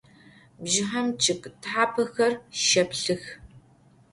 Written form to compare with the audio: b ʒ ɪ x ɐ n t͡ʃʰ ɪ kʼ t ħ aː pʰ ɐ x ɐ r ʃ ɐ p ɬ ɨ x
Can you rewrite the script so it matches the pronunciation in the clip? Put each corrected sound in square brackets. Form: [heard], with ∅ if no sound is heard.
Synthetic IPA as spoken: b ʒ ɪ [ħ] ɐ [m] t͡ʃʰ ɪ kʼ t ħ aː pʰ ɐ x ɐ r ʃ ɐ p ɬ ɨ x